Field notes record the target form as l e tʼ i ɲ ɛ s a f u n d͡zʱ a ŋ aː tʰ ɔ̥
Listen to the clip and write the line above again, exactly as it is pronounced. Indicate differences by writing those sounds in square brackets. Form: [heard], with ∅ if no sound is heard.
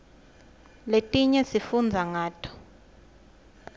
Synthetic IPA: l e tʼ i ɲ ɛ s [i] f u n d͡zʱ a ŋ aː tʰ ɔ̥